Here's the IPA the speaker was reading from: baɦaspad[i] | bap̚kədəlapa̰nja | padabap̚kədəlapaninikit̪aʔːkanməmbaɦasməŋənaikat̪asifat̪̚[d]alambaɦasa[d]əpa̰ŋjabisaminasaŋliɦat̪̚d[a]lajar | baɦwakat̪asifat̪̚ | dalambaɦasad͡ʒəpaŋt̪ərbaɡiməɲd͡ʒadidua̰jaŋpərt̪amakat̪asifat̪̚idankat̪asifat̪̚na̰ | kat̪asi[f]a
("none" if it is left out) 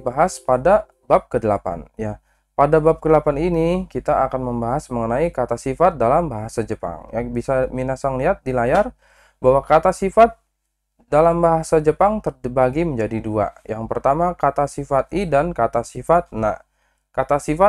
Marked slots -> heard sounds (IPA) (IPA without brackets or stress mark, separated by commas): a, d, d͡ʒ, i, f